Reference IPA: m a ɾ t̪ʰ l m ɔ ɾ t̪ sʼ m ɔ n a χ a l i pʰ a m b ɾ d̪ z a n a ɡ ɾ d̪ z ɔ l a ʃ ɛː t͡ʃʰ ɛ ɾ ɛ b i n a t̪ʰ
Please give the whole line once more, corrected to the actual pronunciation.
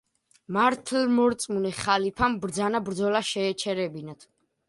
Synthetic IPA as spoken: m a ɾ t̪ʰ l m ɔ ɾ t̪ sʼ m u n ɛ χ a l i pʰ a m b ɾ d̪ z a n a b ɾ d̪ z ɔ l a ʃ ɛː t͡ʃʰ ɛ ɾ ɛ b i n a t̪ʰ